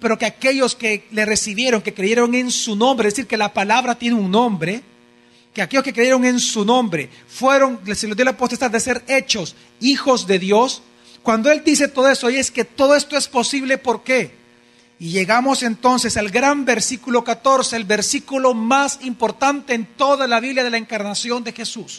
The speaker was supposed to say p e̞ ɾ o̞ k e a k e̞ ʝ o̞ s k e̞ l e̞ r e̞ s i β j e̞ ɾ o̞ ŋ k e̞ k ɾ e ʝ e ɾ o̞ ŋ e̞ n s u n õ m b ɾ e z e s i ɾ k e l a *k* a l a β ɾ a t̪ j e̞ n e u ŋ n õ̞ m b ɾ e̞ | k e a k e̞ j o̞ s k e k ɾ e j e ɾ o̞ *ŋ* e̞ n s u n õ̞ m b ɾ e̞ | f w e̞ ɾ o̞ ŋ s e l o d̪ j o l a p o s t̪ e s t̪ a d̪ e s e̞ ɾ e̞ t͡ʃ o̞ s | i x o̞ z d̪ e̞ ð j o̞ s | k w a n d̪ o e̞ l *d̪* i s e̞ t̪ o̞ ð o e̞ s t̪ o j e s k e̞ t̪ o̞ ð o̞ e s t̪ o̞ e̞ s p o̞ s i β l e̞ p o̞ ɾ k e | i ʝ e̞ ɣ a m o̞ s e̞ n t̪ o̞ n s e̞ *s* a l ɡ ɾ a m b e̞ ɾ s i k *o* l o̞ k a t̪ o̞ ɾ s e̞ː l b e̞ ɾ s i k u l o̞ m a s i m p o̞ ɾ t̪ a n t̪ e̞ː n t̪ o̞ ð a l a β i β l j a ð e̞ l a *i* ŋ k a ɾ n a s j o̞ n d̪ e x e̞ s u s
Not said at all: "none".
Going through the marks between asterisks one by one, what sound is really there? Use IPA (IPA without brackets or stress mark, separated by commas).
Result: p, ŋ, d̪, s, u, e